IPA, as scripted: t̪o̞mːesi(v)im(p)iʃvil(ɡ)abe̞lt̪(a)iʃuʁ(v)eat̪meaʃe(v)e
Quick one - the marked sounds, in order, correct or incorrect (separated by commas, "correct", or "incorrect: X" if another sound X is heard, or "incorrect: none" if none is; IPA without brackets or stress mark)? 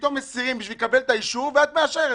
incorrect: ʁ, incorrect: b, incorrect: k, correct, correct, incorrect: ʁ